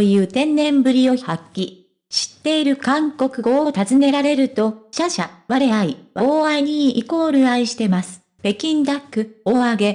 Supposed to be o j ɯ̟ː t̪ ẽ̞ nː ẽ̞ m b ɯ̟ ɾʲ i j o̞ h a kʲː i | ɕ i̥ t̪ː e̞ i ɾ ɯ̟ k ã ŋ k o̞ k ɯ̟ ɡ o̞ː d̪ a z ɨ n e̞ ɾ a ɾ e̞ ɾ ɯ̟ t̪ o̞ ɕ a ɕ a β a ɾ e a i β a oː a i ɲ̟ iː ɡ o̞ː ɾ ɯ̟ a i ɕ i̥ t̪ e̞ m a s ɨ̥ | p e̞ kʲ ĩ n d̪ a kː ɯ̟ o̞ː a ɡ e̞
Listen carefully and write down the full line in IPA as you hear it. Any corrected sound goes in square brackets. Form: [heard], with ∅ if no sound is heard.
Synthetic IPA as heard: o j ɯ̟ː t̪ ẽ̞ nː ẽ̞ m b ɯ̟ ɾʲ i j o̞ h a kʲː i | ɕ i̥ t̪ː e̞ i ɾ ɯ̟ k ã ŋ k o̞ k ɯ̟ ɡ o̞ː [t̪] a z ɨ n e̞ ɾ a ɾ e̞ ɾ ɯ̟ t̪ o̞ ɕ a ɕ a β a ɾ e a i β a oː a i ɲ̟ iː [k] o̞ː ɾ ɯ̟ a i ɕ i̥ t̪ e̞ m a s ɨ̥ | p e̞ kʲ ĩ n d̪ a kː ɯ̟ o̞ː a ɡ e̞